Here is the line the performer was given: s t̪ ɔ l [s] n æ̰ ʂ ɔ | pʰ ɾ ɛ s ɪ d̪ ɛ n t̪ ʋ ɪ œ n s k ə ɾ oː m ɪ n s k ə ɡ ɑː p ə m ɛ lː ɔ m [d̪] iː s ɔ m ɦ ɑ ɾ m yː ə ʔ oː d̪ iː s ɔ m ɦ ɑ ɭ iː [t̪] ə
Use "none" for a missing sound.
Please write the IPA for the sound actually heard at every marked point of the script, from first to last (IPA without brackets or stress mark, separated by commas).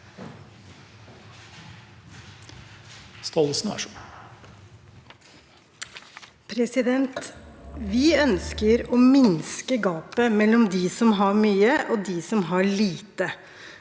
s, d̪, t̪